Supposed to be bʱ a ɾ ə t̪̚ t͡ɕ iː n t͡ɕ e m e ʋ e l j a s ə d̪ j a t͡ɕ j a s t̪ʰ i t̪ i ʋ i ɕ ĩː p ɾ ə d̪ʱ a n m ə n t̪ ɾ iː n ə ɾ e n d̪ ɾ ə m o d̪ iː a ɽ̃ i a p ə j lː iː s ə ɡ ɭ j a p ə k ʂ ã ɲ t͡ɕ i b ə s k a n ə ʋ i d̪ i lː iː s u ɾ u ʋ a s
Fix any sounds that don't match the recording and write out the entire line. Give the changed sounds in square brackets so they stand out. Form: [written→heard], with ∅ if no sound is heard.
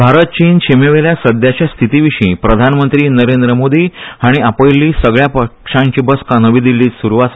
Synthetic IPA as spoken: bʱ a ɾ ə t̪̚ t͡ɕ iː n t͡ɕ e m e ʋ e l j a s ə d̪ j a t͡ɕ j a s t̪ʰ i t̪ i ʋ i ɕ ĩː p ɾ ə d̪ʱ a n m ə n t̪ ɾ iː n ə ɾ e n d̪ ɾ ə m o d̪ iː a ɽ̃ i a p ə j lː iː s ə ɡ ɭ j a p ə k ʂ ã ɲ t͡ɕ i b ə s k a n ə ʋ i d̪ i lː iː s u ɾ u ʋ a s